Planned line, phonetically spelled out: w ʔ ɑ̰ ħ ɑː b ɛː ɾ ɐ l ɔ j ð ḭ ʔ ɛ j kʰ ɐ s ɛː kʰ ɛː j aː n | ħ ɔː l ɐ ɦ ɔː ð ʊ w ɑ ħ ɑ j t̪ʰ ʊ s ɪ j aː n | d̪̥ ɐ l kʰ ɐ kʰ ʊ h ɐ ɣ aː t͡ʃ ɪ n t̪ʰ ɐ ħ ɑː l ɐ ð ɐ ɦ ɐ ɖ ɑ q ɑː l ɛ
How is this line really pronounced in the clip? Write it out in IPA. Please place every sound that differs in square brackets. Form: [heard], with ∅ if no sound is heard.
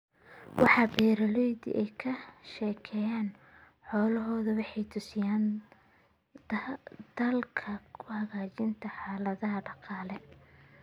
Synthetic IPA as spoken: w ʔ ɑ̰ ħ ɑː b ɛː ɾ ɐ l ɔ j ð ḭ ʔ ɛ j kʰ ɐ [ʃ] ɛː kʰ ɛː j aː n | ħ ɔː l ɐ ɦ ɔː ð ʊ w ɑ ħ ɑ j t̪ʰ ʊ s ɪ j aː n | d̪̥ ɐ l kʰ ɐ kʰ ʊ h ɐ ɣ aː t͡ʃ ɪ n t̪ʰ ɐ ħ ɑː l ɐ ð ɐ ɦ ɐ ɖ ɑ q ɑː l ɛ